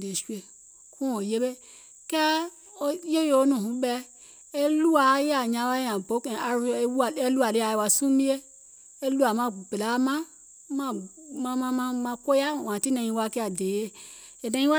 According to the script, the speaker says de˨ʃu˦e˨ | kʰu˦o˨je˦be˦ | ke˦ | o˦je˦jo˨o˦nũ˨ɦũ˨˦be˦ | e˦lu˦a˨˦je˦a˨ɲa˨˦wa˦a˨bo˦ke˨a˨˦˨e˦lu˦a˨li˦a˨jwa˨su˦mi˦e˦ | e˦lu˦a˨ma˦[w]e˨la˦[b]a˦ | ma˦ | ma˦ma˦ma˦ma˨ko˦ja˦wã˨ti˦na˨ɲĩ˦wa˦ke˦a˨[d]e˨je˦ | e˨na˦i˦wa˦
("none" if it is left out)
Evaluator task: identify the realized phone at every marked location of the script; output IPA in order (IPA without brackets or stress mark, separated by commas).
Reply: b, m, d